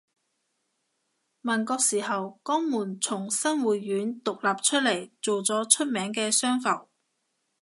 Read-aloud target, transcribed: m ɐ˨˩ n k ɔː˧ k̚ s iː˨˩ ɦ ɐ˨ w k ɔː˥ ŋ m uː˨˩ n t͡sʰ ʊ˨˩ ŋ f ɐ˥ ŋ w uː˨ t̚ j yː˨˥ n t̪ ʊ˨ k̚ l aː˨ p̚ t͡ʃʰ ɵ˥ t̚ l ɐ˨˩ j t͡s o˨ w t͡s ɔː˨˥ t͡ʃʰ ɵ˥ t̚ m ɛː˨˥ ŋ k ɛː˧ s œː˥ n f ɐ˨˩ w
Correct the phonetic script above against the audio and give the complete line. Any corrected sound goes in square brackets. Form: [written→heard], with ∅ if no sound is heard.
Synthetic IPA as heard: m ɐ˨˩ n k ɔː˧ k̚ s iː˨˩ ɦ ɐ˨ w k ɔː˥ ŋ m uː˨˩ n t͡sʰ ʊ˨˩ ŋ [f→s] ɐ˥ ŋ w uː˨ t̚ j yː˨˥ n t̪ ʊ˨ k̚ l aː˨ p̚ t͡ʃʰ ɵ˥ t̚ l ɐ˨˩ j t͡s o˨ w t͡s ɔː˨˥ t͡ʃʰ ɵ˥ t̚ m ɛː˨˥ ŋ k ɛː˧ s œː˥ [n→ŋ] f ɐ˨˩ w